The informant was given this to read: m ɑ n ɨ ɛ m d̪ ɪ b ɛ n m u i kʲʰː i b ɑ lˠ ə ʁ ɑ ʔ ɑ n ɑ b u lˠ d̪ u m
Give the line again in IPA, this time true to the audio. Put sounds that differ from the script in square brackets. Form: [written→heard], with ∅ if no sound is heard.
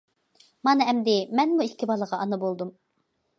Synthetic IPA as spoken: m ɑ n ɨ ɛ m d̪ ɪ [b→m] ɛ n m u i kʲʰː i b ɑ lˠ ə ʁ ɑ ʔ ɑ n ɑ b [u→o] lˠ d̪ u m